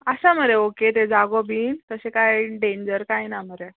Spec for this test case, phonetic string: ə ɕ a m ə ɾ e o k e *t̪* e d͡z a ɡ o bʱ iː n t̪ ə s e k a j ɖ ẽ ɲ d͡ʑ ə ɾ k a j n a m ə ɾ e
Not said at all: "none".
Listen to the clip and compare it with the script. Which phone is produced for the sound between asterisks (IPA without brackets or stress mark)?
t̪